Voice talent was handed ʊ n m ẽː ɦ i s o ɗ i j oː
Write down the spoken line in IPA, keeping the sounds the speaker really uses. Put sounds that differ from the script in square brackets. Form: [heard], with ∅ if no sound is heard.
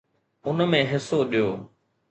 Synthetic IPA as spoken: ʊ n m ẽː ɦ [ɪ] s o ɗ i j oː